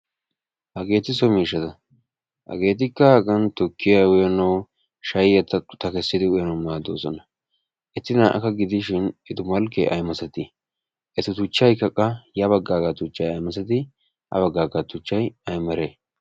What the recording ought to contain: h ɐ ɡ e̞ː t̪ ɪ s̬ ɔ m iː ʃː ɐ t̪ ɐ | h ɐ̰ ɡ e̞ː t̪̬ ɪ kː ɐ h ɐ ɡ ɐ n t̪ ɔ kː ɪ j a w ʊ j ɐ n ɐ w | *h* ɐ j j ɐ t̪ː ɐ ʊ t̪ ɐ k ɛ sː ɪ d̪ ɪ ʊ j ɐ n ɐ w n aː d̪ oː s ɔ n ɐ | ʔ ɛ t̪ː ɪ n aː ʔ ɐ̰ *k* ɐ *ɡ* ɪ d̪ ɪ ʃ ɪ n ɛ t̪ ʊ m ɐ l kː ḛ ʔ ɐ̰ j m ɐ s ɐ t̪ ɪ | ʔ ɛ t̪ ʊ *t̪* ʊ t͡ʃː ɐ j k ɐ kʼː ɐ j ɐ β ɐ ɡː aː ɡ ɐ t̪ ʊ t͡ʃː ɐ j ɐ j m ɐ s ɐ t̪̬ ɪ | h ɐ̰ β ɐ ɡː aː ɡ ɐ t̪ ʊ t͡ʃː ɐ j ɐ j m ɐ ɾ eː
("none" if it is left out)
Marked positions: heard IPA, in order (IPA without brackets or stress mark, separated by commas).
ʃ, k, ɡ, t̪